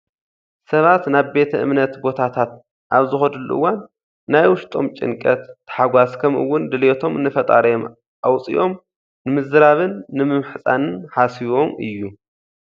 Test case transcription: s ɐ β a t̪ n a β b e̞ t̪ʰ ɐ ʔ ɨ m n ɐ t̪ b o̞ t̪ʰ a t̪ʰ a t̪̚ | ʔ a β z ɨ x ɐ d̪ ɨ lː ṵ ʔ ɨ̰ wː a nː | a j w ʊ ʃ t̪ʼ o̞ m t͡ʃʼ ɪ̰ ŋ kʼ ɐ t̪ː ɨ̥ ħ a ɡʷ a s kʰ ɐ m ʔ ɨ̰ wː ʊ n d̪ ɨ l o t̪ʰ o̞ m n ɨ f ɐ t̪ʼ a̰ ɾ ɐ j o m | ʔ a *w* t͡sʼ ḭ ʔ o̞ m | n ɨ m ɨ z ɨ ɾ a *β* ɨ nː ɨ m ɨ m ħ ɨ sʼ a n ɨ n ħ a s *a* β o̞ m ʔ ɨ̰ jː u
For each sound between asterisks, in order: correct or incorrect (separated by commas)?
correct, correct, incorrect